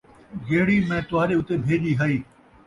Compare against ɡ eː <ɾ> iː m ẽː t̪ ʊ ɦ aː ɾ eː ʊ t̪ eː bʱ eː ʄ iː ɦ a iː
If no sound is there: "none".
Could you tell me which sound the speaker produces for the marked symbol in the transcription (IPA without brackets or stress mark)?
ɽ